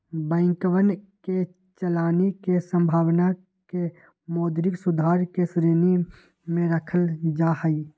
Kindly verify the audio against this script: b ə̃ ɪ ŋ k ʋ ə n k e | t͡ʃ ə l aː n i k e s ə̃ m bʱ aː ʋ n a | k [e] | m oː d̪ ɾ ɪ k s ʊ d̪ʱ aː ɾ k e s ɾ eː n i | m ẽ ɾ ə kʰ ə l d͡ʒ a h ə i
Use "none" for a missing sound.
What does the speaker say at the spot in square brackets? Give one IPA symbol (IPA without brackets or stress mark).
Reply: e